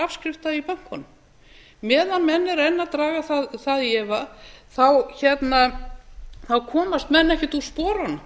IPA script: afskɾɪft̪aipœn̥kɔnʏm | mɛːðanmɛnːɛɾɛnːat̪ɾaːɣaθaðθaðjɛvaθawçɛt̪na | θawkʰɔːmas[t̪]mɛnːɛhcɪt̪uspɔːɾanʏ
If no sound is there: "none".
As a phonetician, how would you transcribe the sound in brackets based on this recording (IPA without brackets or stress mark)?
t̪